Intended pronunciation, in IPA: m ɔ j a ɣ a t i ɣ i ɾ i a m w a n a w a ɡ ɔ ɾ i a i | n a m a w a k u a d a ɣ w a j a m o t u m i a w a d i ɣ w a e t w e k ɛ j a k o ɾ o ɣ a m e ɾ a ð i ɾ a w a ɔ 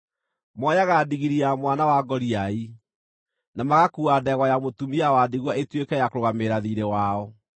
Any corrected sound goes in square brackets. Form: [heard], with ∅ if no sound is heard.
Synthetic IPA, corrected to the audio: m ɔ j a ɣ a [d] i ɣ i ɾ i a m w a n a w a ɡ ɔ ɾ i a i | n a m a [ɣ] a k u a d [ɛ] ɣ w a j a m o t u m i a w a d i ɣ w a e t w e k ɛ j a k o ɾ o ɣ a m e ɾ a ð i ɾ [e] w a ɔ